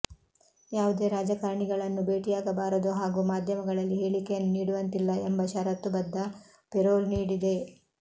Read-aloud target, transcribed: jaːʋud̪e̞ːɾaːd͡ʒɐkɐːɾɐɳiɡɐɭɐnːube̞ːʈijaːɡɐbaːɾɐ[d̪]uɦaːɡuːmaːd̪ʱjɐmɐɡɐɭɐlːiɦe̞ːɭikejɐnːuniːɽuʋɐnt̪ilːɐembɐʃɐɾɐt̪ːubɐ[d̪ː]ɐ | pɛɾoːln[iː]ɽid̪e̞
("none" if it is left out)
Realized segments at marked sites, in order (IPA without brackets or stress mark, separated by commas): d̪, d̪ː, iː